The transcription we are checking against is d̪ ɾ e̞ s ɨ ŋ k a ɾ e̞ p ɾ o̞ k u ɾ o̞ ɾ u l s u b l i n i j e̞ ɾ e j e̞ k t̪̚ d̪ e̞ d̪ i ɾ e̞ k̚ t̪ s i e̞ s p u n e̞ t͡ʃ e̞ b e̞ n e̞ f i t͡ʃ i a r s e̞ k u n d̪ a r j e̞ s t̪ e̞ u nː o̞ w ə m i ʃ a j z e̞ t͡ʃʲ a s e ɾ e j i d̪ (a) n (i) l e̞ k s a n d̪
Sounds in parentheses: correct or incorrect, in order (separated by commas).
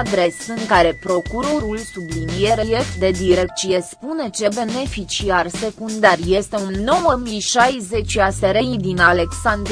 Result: incorrect, incorrect